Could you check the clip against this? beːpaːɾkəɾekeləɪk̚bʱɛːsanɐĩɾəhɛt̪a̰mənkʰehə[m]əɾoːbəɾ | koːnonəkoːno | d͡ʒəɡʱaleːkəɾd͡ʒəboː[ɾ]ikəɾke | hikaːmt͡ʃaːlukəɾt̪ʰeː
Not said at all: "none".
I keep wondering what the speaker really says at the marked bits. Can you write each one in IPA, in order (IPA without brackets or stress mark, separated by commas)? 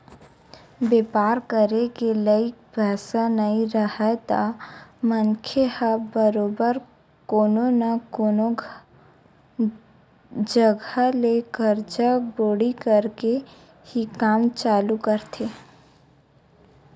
b, ɽ